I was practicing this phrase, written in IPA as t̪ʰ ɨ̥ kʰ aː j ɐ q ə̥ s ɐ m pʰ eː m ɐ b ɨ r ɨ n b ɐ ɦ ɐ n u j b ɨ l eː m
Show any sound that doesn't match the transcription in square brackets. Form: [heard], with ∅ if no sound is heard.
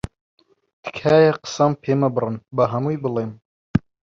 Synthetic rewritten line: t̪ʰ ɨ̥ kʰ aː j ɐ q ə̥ s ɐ m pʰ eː m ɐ b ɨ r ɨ n b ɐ ɦ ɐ [m] u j b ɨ l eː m